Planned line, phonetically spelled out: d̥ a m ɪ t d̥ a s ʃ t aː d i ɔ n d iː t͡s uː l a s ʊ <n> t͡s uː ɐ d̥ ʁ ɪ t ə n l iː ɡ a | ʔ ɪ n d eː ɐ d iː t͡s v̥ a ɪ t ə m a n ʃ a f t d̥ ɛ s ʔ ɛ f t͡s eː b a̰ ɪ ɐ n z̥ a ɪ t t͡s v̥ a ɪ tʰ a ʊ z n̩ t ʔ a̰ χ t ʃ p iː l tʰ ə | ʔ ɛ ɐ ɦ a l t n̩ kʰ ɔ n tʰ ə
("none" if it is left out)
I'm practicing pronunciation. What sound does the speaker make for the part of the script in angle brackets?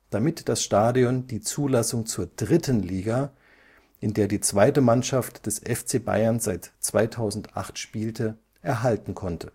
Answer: ŋ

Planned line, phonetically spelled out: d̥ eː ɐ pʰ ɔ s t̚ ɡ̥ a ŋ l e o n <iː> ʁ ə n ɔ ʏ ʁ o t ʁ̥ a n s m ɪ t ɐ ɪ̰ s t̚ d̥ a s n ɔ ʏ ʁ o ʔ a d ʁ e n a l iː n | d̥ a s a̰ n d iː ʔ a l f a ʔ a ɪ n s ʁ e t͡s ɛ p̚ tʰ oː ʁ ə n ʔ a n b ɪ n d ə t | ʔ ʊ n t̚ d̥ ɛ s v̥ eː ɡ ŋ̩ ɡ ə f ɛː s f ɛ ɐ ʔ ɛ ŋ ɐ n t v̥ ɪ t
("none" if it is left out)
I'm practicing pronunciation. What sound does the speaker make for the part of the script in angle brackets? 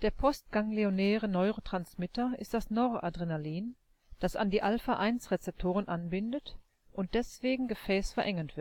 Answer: ɛː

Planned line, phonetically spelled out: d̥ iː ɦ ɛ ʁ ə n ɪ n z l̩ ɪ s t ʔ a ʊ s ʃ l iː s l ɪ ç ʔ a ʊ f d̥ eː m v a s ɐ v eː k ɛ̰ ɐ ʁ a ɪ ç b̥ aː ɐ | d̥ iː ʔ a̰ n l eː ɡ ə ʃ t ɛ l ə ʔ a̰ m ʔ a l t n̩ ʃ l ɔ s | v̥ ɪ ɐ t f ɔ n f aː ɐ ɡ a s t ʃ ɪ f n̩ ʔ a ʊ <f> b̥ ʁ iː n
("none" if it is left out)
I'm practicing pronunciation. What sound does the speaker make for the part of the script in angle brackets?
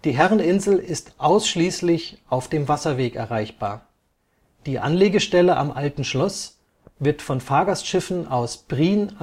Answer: s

